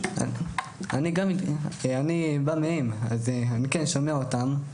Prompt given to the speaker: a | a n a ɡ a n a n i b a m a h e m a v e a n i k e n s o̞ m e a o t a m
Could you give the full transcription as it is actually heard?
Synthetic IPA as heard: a | a n i ɡ a m a n i b a m e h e m a z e a n i k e n ʃ o̞ m e a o t a m